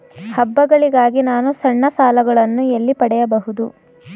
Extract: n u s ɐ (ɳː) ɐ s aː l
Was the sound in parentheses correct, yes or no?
yes